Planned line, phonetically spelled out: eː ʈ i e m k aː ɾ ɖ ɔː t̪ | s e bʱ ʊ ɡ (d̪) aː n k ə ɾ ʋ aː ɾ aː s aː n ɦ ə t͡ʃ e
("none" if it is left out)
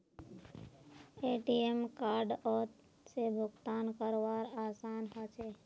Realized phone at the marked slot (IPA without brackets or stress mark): t̪